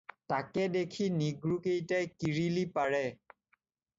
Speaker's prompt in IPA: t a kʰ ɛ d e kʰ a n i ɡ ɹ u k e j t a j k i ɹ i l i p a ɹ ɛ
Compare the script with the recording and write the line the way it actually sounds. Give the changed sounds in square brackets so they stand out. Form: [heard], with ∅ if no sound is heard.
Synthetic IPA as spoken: t a [k] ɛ d e kʰ [i] n i ɡ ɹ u k e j t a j k i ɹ i l i p a ɹ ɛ